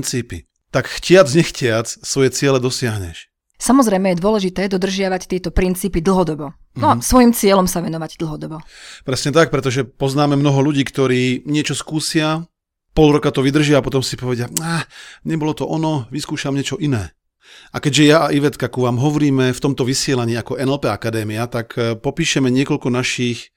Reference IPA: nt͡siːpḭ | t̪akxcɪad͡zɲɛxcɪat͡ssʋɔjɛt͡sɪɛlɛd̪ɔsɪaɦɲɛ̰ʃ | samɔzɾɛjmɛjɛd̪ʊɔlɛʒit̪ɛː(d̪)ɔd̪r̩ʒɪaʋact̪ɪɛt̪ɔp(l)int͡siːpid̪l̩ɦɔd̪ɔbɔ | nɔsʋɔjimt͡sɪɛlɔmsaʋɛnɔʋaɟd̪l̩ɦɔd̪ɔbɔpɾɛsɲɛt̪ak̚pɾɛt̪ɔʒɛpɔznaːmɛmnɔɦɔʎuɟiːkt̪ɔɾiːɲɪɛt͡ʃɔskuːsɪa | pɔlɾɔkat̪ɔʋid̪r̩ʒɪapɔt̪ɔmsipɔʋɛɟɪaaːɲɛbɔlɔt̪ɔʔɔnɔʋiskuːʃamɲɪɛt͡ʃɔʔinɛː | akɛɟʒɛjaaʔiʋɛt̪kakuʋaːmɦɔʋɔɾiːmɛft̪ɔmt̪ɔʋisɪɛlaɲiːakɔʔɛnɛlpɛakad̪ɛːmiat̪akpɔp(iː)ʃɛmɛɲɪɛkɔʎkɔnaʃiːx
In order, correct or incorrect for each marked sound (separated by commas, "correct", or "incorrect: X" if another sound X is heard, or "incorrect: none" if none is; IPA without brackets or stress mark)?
correct, incorrect: ɾ, correct